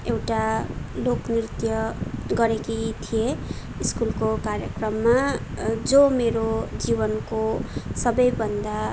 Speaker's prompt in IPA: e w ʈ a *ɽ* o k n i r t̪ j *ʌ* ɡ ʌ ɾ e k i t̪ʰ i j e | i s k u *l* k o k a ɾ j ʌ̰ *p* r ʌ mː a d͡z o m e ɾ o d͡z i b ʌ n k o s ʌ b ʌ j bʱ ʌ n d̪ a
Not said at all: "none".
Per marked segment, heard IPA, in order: l, ʌ, l, k

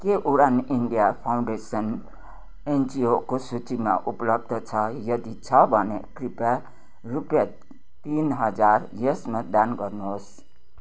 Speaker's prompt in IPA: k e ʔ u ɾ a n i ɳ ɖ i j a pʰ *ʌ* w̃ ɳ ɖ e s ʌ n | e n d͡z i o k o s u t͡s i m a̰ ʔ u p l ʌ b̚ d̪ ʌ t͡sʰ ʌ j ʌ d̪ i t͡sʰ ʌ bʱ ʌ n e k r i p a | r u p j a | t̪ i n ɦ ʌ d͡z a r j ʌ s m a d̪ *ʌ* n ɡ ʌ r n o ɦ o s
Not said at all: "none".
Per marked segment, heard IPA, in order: a, a

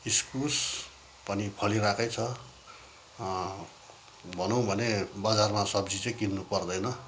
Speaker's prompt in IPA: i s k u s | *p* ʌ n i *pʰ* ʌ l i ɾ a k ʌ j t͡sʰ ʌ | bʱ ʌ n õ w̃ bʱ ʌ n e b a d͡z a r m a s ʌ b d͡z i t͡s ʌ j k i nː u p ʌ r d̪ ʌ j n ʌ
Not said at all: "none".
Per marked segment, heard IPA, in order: p, pʰ

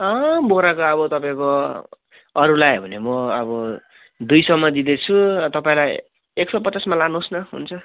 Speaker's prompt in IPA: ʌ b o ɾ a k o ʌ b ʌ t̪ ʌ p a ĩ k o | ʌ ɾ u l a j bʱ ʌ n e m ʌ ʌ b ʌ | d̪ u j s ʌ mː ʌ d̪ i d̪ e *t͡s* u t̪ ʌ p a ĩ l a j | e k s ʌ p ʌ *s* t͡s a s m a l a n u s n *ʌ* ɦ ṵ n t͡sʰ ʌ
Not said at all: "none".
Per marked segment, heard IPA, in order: t͡sʰ, none, ʌ

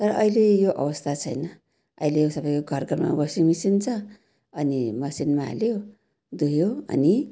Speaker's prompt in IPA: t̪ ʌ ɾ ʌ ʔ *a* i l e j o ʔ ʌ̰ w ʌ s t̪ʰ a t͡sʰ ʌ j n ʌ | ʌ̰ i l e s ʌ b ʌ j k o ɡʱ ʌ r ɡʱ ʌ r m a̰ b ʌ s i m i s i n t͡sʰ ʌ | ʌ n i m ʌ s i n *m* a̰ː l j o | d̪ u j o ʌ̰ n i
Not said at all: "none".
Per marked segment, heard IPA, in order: ʌ, m

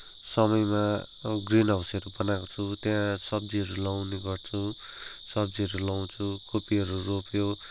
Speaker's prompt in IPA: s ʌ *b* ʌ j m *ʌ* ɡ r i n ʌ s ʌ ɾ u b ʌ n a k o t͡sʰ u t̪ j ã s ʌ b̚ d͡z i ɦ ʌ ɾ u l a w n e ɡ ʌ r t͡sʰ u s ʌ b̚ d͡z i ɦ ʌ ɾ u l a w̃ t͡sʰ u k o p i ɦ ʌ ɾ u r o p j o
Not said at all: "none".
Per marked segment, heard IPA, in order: m, a

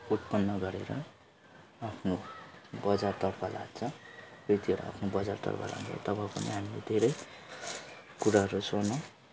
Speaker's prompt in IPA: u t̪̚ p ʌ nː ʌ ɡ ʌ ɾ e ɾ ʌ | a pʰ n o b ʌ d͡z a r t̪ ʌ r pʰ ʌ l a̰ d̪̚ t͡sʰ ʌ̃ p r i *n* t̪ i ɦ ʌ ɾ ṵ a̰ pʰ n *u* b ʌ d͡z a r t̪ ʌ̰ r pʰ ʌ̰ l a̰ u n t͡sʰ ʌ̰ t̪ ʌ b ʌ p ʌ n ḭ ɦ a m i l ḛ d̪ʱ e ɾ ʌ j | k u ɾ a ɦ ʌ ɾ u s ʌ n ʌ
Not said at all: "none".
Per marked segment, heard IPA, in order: none, o

